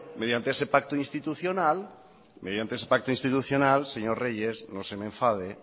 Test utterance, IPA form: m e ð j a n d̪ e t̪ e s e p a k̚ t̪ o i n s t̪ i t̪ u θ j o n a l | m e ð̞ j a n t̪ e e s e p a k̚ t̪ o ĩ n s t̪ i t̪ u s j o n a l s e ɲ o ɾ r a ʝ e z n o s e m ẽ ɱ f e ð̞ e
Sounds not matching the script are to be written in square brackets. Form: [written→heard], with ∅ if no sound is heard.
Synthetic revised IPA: m e ð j a n [d̪→t̪] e [t̪→∅] e s e p a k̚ t̪ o i n s t̪ i t̪ u θ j o n a l | m e ð̞ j a n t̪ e e s e p a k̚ t̪ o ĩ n s t̪ i t̪ u [s→θ] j o n a l s e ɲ o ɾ r [a→e] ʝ e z n o s e m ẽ ɱ f [e→a] ð̞ e